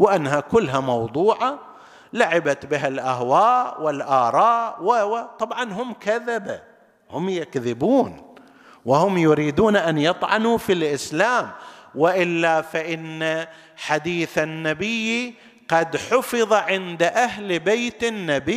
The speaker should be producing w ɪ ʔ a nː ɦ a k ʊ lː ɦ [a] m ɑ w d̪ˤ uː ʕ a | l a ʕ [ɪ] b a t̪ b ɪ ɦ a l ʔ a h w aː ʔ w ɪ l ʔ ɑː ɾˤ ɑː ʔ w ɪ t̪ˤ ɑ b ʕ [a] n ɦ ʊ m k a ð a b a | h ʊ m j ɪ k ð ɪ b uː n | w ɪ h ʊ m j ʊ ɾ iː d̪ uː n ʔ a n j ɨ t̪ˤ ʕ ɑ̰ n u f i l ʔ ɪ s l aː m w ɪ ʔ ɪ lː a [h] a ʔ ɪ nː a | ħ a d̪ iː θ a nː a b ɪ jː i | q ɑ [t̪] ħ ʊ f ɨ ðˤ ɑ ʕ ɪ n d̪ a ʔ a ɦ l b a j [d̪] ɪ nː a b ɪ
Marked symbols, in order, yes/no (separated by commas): yes, yes, no, no, no, no